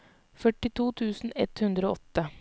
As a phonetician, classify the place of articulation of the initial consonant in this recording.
labial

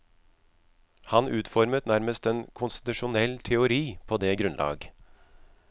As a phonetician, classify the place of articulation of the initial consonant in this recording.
glottal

